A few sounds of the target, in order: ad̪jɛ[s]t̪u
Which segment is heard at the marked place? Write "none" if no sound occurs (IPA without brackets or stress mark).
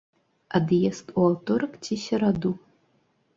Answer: s